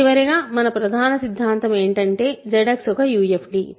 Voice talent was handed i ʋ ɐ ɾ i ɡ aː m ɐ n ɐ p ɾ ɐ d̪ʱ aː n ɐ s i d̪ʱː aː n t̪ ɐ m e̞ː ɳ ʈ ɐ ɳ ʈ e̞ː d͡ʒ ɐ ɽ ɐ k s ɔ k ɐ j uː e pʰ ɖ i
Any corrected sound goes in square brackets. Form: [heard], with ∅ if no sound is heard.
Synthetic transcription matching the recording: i ʋ ɐ ɾ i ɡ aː m ɐ n ɐ p ɾ ɐ d̪ʱ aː n ɐ s i d̪ʱː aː n t̪ ɐ m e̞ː ɳ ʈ ɐ ɳ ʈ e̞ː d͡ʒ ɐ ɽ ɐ k s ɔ k ɐ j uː e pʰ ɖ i

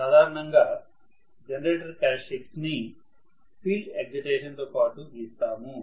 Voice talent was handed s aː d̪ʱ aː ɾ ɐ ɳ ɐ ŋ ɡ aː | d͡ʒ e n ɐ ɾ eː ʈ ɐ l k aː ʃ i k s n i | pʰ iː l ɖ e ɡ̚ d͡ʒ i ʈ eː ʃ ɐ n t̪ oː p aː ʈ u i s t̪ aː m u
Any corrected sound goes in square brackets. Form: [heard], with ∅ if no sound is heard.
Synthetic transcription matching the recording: s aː d̪ʱ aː ɾ ɐ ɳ ɐ ŋ ɡ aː | d͡ʒ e n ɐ ɾ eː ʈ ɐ [ɾ] k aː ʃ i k s n i | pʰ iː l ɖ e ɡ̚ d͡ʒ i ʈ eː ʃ ɐ n t̪ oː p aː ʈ u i s t̪ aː m u

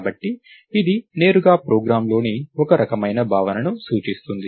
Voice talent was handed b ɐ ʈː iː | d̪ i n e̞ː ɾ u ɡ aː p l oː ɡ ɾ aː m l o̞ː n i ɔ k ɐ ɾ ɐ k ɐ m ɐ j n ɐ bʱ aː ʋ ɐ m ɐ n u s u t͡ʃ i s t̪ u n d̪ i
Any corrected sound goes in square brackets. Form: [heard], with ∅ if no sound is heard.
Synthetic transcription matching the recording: b ɐ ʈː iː | d̪ i n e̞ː ɾ u ɡ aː p [ɾ] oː ɡ ɾ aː m l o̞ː n i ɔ k ɐ ɾ ɐ k ɐ m ɐ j n ɐ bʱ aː ʋ ɐ [n] ɐ n u s [uː] t͡ʃ i s t̪ u n d̪ i

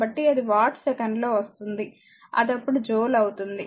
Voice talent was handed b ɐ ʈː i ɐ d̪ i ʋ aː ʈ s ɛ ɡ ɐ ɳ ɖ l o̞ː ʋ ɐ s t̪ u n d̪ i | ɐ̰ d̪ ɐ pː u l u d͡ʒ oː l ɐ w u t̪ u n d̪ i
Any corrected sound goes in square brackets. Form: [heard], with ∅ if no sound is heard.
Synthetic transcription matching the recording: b ɐ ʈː i ɐ d̪ i ʋ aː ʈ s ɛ [k] ɐ ɳ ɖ l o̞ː ʋ ɐ s t̪ u n d̪ i | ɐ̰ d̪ ɐ pː u [ɽ] u d͡ʒ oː l ɐ w u t̪ u n d̪ i

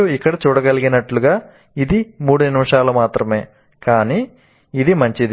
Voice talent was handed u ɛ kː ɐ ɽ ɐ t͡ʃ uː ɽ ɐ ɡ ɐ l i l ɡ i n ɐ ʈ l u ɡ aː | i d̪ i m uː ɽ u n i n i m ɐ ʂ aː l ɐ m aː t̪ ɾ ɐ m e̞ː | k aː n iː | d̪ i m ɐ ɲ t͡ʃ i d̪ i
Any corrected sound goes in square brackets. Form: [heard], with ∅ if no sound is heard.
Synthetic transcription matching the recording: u [i] kː ɐ ɽ ɐ t͡ʃ uː ɽ ɐ ɡ ɐ l i [∅] ɡ i n ɐ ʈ l u ɡ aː | i d̪ i m uː ɽ u n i n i m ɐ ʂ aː l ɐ m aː t̪ ɾ ɐ m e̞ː | k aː n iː | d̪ i m ɐ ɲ t͡ʃ i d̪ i

